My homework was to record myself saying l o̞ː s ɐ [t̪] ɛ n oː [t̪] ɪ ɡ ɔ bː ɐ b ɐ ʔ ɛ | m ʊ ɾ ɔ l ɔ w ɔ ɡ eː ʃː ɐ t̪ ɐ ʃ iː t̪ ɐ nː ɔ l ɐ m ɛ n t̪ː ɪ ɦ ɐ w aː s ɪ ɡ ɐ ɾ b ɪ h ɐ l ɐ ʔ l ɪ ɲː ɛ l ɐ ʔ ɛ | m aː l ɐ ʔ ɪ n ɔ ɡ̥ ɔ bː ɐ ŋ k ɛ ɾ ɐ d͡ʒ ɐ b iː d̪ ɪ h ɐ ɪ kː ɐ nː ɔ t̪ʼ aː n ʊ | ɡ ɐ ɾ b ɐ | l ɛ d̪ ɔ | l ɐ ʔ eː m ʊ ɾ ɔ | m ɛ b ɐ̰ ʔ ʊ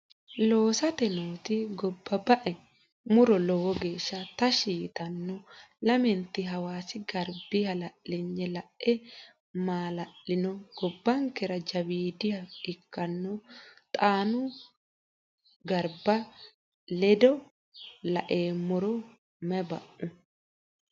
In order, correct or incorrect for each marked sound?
correct, correct

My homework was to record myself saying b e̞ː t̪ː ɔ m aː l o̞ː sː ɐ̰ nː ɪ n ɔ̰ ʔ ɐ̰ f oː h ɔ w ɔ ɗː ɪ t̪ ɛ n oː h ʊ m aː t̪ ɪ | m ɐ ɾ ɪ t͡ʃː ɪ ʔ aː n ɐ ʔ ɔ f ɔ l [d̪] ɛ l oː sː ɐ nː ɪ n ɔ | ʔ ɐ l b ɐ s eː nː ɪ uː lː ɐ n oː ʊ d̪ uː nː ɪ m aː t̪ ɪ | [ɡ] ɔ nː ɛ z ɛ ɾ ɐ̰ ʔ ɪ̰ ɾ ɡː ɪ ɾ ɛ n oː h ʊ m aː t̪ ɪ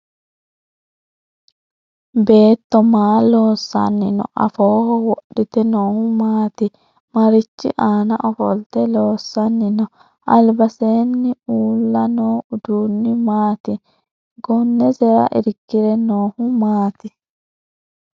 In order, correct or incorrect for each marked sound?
incorrect: t̪, correct

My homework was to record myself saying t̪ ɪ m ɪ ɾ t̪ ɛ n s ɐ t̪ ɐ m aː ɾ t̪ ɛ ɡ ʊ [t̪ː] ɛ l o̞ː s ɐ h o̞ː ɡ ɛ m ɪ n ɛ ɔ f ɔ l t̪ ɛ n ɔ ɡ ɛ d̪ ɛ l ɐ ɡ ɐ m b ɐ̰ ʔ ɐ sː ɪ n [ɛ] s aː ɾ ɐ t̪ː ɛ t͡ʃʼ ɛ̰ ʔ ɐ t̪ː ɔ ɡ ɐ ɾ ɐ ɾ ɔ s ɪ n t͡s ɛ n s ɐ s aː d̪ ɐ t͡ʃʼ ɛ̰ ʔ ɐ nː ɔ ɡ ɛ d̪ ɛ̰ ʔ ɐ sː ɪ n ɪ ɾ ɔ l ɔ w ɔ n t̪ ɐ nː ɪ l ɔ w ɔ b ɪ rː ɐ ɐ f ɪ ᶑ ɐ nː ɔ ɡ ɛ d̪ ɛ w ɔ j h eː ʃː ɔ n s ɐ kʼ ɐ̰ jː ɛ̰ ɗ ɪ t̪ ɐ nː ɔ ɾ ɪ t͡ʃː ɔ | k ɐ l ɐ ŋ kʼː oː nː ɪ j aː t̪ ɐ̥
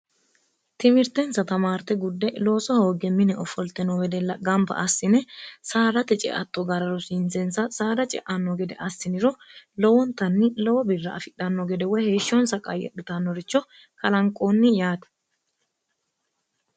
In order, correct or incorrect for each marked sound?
incorrect: d̪ː, correct

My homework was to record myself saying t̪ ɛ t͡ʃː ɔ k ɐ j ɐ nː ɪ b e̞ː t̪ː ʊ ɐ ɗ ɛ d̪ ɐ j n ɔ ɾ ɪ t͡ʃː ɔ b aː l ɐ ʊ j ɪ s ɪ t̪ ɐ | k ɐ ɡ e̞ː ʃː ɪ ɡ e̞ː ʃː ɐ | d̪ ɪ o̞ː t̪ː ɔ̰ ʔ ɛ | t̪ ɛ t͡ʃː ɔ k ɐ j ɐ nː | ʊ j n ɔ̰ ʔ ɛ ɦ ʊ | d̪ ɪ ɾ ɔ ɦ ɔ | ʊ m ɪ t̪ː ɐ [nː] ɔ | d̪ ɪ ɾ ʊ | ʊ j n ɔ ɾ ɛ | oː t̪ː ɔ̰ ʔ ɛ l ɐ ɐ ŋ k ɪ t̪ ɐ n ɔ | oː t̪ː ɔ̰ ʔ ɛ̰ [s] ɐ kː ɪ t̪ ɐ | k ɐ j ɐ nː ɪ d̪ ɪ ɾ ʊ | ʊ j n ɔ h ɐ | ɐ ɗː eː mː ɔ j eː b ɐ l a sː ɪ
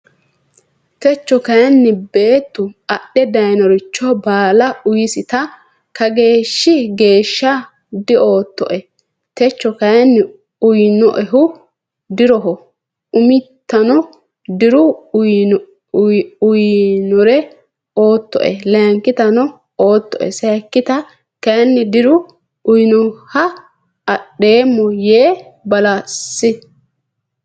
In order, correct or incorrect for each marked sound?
incorrect: n, correct

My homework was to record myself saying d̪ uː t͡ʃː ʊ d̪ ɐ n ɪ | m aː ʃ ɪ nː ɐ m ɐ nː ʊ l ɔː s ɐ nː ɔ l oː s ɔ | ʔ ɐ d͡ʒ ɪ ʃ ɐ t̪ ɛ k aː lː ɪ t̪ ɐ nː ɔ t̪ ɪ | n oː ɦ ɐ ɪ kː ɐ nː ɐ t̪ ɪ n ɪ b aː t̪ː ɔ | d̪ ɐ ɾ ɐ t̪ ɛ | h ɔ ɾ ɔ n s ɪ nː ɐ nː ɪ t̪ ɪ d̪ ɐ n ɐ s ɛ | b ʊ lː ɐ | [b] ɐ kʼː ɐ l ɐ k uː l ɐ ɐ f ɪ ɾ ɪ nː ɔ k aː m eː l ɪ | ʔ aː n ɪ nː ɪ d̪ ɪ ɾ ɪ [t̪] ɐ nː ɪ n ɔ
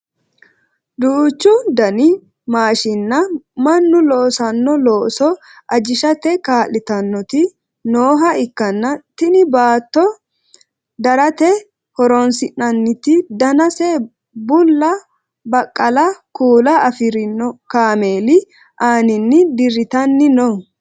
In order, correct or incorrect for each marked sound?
correct, correct

